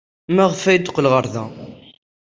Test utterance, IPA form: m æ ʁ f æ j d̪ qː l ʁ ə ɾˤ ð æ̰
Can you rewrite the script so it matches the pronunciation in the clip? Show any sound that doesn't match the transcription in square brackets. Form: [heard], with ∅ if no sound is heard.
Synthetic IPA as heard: m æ ʁ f æ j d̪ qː l ʁ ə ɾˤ ð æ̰